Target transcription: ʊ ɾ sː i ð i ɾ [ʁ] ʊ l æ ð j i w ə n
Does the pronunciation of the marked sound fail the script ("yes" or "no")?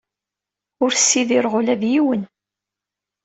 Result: no